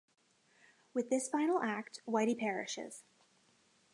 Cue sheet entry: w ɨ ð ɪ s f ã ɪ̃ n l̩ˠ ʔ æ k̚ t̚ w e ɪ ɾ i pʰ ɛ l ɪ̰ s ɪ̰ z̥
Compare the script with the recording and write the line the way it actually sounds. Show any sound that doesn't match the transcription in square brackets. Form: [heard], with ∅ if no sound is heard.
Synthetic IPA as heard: w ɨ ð ɪ s f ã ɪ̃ n l̩ˠ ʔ æ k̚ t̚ w [a] ɪ ɾ i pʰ ɛ [ɹ] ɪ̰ [ʃ] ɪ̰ z̥